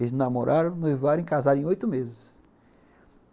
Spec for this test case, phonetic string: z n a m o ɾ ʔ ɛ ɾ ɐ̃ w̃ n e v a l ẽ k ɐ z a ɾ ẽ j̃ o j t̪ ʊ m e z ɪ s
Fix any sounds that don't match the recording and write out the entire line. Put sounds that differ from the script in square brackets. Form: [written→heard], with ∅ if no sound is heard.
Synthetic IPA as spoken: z n a m o ɾ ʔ [ɛ→a] ɾ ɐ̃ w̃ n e v a [l→ɾ] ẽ k [ɐ→a] z a ɾ ẽ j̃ o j t̪ ʊ m e z ɪ s